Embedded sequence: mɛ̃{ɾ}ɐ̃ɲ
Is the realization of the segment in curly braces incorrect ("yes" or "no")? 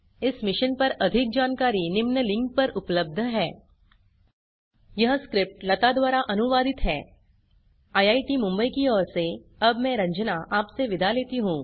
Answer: no